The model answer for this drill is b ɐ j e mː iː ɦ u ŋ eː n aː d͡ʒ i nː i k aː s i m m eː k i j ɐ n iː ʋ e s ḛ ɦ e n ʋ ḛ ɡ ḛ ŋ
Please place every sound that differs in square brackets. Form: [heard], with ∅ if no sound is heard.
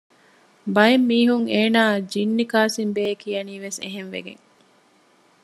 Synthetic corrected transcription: b ɐ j e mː iː ɦ u ŋ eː n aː d͡ʒ i nː i k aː s i m [b] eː k i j ɐ n iː ʋ e s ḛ ɦ e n ʋ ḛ ɡ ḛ ŋ